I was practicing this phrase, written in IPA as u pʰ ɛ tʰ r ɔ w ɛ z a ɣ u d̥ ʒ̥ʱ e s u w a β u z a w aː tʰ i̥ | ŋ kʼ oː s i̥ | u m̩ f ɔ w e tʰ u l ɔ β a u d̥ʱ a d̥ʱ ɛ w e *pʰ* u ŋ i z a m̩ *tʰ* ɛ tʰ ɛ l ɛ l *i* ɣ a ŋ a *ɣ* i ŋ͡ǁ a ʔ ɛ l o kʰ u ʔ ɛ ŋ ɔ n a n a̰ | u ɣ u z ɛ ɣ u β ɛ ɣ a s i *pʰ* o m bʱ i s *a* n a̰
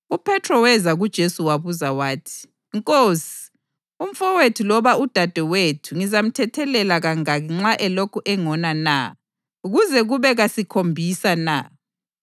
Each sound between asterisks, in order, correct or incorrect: incorrect: tʰ, correct, incorrect: a, correct, incorrect: kʰ, correct

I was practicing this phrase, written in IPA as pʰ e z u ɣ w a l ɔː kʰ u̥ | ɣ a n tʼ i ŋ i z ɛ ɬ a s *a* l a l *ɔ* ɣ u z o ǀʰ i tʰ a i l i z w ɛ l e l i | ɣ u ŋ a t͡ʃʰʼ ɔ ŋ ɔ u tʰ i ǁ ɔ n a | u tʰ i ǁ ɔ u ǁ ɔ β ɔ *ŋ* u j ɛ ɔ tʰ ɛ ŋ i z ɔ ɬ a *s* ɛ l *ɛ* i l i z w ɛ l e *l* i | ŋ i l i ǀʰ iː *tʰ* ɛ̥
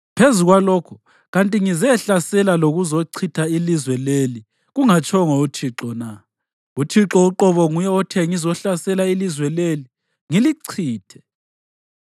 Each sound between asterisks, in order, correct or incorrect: incorrect: ɛ, incorrect: o, correct, correct, incorrect: a, correct, correct

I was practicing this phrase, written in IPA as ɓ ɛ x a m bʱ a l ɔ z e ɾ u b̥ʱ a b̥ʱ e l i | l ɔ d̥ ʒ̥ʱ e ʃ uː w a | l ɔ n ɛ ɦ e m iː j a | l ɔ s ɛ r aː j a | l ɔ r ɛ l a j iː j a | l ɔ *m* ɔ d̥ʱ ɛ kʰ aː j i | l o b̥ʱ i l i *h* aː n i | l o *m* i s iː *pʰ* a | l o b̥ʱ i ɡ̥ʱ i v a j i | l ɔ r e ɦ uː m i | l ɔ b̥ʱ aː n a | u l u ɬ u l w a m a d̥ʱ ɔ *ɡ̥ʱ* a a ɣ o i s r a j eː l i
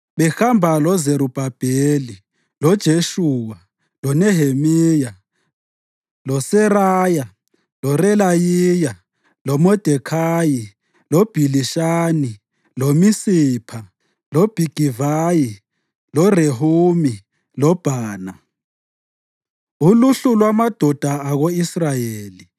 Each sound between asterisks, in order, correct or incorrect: correct, incorrect: ʃ, correct, correct, incorrect: d̥ʱ

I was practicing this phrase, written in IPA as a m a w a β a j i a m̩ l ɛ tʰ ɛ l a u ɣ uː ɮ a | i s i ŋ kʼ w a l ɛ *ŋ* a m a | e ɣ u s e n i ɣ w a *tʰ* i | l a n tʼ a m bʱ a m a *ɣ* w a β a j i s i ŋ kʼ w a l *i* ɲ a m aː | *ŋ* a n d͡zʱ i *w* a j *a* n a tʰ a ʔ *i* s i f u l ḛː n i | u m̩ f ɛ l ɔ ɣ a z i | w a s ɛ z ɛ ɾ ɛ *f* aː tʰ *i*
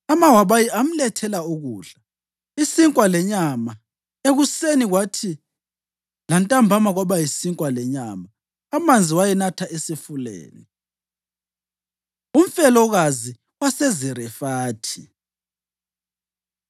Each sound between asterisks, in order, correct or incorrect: incorrect: ɲ, correct, correct, incorrect: ɛ, incorrect: m, correct, incorrect: ɛ, incorrect: e, correct, correct

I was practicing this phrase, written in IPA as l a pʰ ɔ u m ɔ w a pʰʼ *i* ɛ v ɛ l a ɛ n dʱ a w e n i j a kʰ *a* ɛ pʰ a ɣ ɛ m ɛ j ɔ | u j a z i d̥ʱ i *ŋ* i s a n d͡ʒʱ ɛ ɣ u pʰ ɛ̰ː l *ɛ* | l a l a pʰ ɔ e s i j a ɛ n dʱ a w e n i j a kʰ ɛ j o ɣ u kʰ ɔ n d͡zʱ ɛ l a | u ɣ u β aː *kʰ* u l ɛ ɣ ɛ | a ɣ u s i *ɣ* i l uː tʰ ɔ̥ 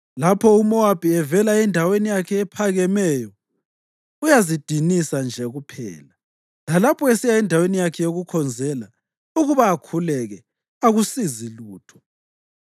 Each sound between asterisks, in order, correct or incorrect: correct, incorrect: ɛ, incorrect: n, incorrect: a, correct, incorrect: z

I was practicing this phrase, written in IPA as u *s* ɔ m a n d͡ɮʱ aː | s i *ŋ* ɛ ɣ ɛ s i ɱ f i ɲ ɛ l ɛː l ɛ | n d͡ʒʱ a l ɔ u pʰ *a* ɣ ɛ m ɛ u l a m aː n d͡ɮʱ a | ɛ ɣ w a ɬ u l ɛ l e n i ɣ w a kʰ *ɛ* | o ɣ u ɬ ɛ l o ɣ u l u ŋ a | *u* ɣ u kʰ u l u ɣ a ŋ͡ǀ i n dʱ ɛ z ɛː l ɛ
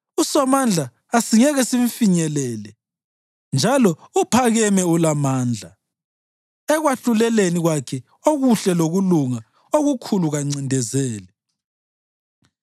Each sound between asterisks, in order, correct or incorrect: correct, correct, correct, correct, incorrect: o

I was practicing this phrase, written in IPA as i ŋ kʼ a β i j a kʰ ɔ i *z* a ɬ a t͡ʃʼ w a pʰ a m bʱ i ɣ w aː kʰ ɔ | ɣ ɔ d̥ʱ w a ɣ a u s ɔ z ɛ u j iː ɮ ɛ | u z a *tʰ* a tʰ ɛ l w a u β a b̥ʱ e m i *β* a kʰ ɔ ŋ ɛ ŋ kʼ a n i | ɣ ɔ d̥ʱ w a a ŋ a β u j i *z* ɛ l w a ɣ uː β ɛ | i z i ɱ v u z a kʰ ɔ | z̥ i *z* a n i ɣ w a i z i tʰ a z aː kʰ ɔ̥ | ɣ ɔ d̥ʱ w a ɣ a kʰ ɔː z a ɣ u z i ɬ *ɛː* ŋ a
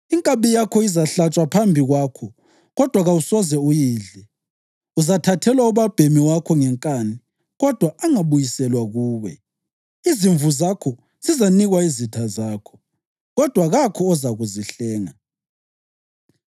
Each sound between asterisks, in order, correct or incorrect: correct, correct, incorrect: w, incorrect: s, correct, correct

